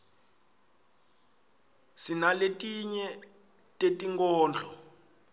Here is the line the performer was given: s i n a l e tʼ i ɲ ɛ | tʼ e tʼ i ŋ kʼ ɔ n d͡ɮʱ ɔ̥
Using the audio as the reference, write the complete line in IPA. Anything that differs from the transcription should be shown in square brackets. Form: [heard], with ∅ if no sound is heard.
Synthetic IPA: s i n a l e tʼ i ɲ ɛ | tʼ e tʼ i ŋ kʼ [ɔː] n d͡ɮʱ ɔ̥